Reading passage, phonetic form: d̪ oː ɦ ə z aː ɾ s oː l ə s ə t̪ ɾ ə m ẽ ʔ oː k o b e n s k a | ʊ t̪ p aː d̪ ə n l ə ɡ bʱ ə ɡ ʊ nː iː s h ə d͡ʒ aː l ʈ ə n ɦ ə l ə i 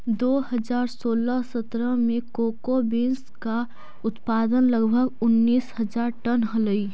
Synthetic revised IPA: d̪ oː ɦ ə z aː ɾ s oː l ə s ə t̪ ɾ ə m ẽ k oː k o b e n s k a | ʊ t̪ p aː d̪ ə n l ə ɡ bʱ ə ɡ ʊ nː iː s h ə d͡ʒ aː ɾ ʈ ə n ɦ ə l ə i